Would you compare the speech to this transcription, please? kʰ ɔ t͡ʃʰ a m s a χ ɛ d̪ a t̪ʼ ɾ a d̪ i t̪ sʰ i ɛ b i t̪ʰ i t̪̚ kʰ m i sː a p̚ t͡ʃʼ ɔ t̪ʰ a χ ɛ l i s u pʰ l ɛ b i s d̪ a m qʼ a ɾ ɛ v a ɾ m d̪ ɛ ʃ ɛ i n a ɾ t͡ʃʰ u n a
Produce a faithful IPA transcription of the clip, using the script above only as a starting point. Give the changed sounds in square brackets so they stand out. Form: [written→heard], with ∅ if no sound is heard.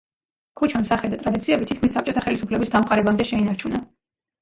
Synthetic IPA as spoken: kʰ [ɔ→u] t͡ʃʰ a m s a χ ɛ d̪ a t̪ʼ ɾ a d̪ i t̪ sʰ i ɛ b i t̪ʰ i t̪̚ kʰ m i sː a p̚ t͡ʃʼ ɔ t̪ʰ a χ ɛ l i s u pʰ l ɛ b i s d̪ a m qʼ a ɾ ɛ [v→b] a [ɾ→∅] m d̪ ɛ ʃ ɛ i n a ɾ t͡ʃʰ u n a